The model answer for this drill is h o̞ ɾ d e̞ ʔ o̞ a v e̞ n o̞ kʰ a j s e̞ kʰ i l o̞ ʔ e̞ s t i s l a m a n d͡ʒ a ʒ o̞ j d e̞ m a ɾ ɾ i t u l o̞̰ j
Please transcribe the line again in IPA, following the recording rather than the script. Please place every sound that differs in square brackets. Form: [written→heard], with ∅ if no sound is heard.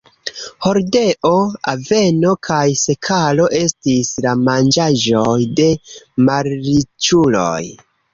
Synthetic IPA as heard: h o̞ ɾ d e̞ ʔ o̞ a v e̞ n o̞ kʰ a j s e̞ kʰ [i→a] l o̞ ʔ e̞ s t i s l a m a n d͡ʒ a ʒ o̞ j d e̞ m a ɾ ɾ i [t→t͡ʃ] u l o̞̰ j